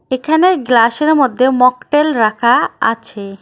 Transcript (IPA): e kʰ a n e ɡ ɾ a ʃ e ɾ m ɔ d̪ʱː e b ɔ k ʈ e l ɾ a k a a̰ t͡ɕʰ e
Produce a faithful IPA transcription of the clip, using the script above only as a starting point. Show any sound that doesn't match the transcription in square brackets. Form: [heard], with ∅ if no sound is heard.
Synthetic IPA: e kʰ a n e ɡ [l] a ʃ e ɾ m [o] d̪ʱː e [m] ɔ k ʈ e l ɾ a [kʰ] a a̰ t͡ɕʰ e